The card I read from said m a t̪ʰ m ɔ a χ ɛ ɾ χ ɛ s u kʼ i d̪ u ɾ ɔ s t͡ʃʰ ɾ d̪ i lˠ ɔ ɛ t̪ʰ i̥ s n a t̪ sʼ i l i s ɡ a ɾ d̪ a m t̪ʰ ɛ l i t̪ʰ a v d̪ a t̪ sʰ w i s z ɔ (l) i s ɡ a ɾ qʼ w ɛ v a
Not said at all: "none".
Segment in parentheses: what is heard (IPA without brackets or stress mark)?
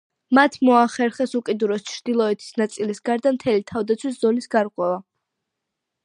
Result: l